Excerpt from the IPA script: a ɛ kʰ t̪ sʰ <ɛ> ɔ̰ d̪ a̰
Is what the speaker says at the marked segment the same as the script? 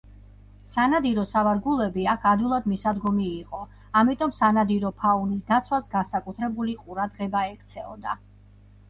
yes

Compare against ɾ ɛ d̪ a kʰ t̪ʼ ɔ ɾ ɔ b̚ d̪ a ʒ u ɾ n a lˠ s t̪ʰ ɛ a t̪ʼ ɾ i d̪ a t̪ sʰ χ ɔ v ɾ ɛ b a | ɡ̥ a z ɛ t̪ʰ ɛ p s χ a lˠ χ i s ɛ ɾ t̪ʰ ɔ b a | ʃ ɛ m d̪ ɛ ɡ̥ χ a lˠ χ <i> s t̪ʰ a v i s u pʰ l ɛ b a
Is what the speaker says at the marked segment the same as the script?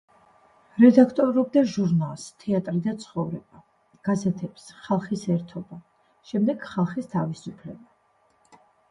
yes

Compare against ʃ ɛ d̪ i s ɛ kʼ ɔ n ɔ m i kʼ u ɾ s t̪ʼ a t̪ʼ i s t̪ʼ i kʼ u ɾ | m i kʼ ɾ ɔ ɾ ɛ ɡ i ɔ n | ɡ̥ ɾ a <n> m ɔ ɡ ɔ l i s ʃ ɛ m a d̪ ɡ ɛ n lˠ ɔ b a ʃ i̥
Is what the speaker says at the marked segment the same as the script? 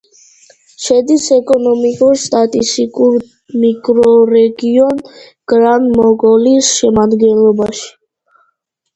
yes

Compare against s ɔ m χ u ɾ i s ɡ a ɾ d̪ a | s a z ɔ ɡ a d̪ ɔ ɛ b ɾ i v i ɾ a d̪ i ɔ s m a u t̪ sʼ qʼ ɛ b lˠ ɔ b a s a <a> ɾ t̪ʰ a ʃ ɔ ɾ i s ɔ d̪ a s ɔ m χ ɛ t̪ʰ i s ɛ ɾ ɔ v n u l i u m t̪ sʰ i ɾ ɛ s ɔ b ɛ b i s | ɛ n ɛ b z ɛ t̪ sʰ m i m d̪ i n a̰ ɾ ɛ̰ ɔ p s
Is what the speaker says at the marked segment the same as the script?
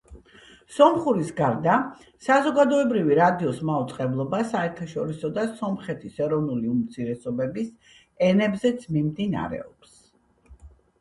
no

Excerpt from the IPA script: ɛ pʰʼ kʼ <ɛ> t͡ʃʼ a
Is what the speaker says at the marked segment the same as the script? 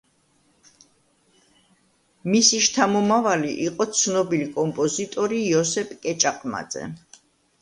yes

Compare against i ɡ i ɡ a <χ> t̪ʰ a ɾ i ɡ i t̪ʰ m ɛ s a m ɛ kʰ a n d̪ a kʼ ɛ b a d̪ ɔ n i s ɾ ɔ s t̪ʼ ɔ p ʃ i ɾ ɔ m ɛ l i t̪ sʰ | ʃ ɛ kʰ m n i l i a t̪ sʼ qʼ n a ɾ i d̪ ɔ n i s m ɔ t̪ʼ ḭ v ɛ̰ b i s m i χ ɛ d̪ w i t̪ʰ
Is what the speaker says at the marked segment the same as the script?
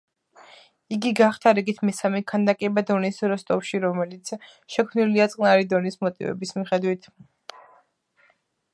yes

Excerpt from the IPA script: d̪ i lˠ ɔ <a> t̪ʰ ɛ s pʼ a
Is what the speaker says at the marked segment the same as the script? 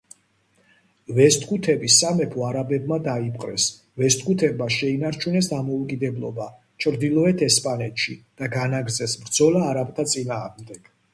no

